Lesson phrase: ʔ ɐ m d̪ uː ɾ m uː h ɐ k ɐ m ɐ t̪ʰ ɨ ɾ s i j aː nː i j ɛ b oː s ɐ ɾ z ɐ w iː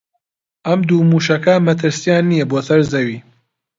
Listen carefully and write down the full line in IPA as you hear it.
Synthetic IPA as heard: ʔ ɐ m d̪ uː m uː ʃ ɐ k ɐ m ɐ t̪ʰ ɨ ɾ s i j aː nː i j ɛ b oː s ɐ ɾ z ɐ w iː